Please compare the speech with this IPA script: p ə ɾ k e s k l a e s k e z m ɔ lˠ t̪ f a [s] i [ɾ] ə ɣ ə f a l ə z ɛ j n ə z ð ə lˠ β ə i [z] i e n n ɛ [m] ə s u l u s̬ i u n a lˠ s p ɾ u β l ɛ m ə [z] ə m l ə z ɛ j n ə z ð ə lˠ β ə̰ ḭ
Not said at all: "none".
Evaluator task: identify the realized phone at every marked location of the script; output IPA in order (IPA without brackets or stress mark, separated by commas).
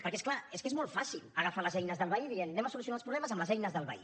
s, l, ð, m, z